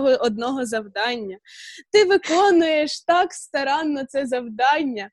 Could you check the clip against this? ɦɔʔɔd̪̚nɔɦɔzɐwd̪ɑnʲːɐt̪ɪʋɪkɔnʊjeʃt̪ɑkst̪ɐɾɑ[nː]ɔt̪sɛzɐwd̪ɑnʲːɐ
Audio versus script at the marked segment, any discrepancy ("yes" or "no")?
no